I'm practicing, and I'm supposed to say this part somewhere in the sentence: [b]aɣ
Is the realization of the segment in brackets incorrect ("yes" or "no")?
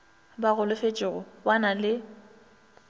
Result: no